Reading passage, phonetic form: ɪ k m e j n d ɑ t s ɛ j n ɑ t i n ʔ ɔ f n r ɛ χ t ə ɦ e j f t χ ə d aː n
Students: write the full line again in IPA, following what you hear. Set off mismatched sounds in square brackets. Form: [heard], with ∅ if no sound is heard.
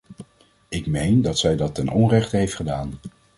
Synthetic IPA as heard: ɪ k m e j n d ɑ t s ɛ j [d] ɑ t [ɛ] n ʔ ɔ [∅] n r ɛ χ t ə ɦ e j f t χ ə d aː n

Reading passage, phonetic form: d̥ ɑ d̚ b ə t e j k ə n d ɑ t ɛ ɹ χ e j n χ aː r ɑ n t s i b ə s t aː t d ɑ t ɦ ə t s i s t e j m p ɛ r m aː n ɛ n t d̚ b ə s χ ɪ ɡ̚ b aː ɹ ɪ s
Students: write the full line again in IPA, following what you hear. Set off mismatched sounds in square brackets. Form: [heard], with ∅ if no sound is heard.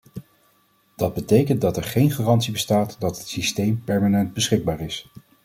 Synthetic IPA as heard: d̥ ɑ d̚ b ə t e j k ə n d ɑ t ɛ ɹ χ e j n χ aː r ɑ n t s i b ə s t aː t d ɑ t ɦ ə t s i s t e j m p ɛ [ɹ] m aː n ɛ n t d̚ b ə s χ ɪ ɡ̚ b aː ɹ ɪ s

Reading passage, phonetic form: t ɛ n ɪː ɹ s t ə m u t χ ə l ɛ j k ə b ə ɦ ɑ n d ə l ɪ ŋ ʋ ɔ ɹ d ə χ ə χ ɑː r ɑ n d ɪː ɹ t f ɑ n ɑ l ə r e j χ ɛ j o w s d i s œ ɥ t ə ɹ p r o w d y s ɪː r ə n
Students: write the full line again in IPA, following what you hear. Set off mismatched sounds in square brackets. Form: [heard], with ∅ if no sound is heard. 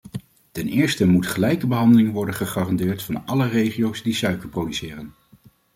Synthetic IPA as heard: t ɛ n ɪː ɹ s t ə m u t χ ə l ɛ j k ə b ə ɦ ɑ n d ə l ɪ ŋ ʋ ɔ ɹ d ə χ ə χ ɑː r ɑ n d ɪː ɹ t f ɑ n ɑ l ə r e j χ [i] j o w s d i s œ ɥ [k] ə ɹ p r o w d y s ɪː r ə n

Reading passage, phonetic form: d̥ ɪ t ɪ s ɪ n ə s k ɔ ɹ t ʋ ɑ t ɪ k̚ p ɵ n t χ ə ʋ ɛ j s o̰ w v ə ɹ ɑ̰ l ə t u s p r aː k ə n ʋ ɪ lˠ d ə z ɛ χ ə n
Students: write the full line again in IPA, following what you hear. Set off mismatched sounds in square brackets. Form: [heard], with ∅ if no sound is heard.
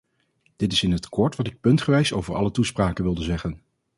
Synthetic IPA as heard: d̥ ɪ t ɪ s ɪ n ə [t] k ɔ ɹ t ʋ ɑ t ɪ k̚ p ɵ n t χ ə ʋ ɛ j s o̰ w v ə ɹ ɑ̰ l ə t u s p r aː k ə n ʋ ɪ lˠ d ə z ɛ χ ə n

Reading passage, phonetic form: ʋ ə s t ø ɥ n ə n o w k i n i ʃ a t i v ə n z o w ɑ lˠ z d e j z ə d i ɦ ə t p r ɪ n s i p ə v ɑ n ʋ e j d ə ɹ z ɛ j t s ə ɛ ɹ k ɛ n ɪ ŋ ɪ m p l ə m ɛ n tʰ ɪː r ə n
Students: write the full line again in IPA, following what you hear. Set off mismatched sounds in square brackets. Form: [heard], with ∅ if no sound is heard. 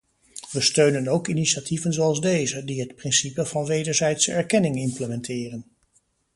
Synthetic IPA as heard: ʋ ə s t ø ɥ n ə n o w k i n i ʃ a t i v ə n z o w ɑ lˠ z d e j z ə d i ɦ ə t p r ɪ n s i p ə v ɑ n ʋ e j d ə ɹ z ɛ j t s ə ɛ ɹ k ɛ n ɪ ŋ ɪ m p l ə m ɛ n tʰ ɪː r ə n

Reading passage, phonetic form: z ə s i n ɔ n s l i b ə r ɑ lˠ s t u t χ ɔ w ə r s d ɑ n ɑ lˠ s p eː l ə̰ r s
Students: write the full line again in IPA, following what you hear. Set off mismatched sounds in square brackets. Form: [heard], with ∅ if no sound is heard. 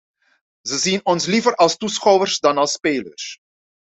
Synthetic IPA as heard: z ə [z] i n ɔ n s l i [v] ə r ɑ lˠ s t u [s] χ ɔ w ə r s d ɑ n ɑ lˠ s p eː l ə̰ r s

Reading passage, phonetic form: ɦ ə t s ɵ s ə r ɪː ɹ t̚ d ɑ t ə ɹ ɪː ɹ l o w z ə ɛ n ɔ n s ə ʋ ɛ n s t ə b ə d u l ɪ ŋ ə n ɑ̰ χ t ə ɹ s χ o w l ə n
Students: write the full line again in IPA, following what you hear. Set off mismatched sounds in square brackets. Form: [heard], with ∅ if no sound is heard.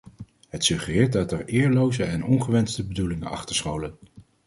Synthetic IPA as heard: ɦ ə t s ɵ [χ] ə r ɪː ɹ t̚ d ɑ t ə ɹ ɪː ɹ l o w z ə ɛ n ɔ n [χ] ə ʋ ɛ n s t ə b ə d u l ɪ ŋ ə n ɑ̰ χ t ə ɹ s χ o w l ə n

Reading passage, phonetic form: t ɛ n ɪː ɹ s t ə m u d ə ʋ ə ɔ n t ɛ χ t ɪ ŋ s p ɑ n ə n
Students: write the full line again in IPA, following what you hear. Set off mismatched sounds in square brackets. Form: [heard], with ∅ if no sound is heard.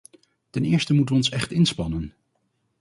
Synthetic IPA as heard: t ɛ n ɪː ɹ s t ə m u [t] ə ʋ ə ɔ n [s] ɛ χ t ɪ [n] s p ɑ n ə n

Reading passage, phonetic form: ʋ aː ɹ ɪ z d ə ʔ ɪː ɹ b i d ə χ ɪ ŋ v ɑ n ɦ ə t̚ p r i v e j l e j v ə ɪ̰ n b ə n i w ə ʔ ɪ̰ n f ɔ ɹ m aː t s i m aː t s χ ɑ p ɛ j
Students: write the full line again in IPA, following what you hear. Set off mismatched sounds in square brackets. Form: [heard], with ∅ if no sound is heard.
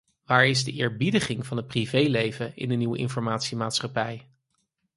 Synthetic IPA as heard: ʋ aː ɹ ɪ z d ə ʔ ɪː ɹ b i d ə χ ɪ ŋ v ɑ n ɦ ə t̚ p r i v e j l e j v ə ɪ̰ n [d] ə n i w ə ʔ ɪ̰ n f ɔ ɹ m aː t s i m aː t s χ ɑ p ɛ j

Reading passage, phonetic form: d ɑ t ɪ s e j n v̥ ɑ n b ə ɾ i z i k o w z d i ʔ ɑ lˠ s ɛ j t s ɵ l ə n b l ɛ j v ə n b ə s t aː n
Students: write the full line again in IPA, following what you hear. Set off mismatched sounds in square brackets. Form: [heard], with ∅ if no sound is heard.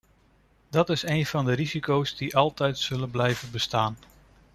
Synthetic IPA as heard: d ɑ t ɪ s e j n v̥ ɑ n [d] ə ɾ i z i k o w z d i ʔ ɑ lˠ [t] ɛ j t s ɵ l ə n b l ɛ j v ə n b ə s t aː n

